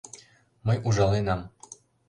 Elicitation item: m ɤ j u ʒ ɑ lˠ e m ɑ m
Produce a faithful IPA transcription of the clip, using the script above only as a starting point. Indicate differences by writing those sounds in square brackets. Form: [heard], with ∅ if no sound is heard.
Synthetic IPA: m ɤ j u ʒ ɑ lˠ e [n] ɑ m